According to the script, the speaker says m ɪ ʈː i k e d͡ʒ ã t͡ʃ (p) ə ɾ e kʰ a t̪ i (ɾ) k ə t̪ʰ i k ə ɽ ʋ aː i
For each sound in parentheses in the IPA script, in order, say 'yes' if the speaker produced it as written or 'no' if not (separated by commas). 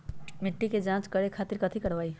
no, yes